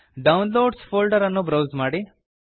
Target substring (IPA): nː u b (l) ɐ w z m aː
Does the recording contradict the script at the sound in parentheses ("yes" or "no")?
yes